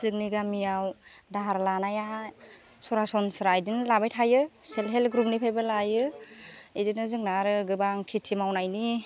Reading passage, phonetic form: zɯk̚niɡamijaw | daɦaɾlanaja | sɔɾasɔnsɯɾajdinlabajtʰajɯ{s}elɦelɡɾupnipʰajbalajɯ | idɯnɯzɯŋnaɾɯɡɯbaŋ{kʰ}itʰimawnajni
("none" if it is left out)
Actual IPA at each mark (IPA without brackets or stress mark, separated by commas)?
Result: s, kʰ